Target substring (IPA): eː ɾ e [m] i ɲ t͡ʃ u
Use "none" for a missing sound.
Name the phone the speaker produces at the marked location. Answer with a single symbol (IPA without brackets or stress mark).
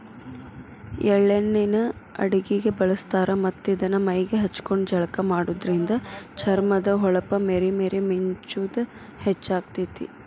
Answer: m